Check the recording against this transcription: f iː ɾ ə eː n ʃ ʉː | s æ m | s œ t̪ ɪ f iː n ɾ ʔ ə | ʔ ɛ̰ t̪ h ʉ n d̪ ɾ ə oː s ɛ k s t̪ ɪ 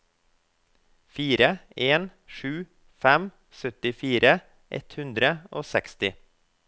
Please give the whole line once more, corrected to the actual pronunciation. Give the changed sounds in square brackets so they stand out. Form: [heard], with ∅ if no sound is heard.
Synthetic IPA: f iː ɾ ə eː n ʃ ʉː | [f] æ m | s œ t̪ ɪ f iː [∅] ɾ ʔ ə | ʔ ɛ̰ t̪ h ʉ n d̪ ɾ ə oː s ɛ k s t̪ ɪ